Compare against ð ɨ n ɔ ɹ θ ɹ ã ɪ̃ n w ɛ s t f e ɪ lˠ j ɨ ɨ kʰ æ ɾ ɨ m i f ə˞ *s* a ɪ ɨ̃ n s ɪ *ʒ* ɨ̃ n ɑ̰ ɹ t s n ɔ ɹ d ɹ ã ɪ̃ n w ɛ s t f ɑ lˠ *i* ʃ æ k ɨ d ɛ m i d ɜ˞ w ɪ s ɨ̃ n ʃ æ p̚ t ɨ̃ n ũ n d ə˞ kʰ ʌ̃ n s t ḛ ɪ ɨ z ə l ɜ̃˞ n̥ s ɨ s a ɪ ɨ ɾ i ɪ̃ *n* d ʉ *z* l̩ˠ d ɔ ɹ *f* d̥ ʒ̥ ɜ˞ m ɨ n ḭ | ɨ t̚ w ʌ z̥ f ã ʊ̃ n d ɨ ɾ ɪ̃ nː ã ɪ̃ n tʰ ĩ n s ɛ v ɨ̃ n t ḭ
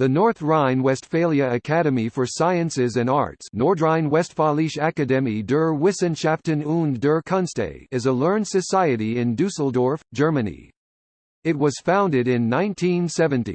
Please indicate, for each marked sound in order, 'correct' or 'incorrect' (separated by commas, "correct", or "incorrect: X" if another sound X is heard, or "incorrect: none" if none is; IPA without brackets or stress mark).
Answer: correct, incorrect: z, correct, correct, incorrect: s, correct